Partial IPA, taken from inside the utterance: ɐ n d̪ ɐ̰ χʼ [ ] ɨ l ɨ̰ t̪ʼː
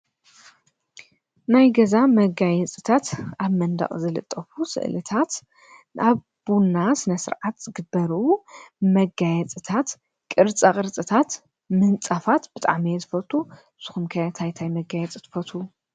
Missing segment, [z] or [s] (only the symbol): z